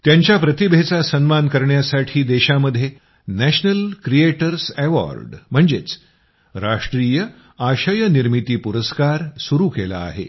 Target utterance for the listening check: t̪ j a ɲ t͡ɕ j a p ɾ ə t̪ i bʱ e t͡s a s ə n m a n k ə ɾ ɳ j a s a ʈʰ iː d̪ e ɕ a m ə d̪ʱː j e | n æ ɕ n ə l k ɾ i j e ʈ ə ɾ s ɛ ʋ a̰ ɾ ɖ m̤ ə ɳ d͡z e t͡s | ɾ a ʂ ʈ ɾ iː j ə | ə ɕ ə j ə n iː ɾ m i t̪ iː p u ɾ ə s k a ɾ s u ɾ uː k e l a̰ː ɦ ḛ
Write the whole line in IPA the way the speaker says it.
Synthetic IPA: t̪ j a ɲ t͡ɕ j a p ɾ ə t̪ i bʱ e t͡s a s ə n m a n k ə ɾ ɳ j a s a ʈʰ iː d̪ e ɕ a m ə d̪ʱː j e | n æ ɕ n ə l k ɾ i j e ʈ ə ɾ s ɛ ʋ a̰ ɾ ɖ m̤ ə ɳ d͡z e t͡s | ɾ a ʂ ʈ ɾ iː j ə | a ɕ ə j ə n i ɾ m i t̪ iː p u ɾ ə s k a ɾ s u ɾ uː k e l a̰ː ɦ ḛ